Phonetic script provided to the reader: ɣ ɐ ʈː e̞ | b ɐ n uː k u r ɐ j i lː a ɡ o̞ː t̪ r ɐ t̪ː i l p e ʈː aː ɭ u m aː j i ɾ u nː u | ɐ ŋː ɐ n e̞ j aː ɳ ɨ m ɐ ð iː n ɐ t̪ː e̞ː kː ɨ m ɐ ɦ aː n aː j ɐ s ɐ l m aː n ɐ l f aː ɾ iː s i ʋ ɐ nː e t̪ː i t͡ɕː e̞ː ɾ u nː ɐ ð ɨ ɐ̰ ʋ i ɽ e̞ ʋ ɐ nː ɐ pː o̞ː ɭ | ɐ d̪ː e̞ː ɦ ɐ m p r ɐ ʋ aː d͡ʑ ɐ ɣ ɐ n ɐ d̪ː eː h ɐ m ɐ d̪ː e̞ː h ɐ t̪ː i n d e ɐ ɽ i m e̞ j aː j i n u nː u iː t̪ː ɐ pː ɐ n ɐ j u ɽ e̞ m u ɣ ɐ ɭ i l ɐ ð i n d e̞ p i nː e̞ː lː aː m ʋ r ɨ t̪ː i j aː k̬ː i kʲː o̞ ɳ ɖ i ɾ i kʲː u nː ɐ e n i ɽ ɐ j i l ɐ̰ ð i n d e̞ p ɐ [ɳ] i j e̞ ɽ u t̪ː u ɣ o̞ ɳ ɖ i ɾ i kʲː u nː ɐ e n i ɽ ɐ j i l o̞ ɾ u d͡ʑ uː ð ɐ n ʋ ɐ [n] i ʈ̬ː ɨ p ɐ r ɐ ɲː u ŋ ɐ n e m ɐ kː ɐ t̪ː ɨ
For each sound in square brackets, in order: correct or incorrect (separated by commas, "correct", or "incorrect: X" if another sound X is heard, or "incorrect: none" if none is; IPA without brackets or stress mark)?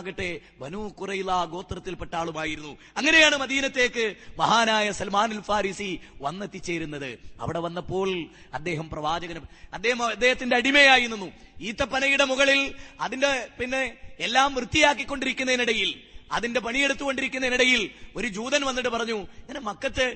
correct, incorrect: nː